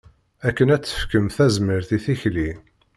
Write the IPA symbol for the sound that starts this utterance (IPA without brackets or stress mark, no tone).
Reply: æ